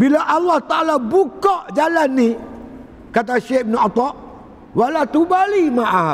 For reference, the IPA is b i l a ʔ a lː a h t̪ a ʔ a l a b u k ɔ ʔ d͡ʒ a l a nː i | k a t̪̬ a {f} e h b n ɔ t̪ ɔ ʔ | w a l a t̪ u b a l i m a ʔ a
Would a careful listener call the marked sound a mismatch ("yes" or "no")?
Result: yes